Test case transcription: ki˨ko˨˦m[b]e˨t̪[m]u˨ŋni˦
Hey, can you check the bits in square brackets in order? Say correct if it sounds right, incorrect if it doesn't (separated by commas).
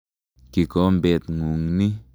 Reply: correct, incorrect